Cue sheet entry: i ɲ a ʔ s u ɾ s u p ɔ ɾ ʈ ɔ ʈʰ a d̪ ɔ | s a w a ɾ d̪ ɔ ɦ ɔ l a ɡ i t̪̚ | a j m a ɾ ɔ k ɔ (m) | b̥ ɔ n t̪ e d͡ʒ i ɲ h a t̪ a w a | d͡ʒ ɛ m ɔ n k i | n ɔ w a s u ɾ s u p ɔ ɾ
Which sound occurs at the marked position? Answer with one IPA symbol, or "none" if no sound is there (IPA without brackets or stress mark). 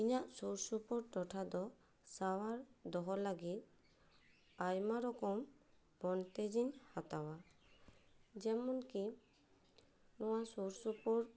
m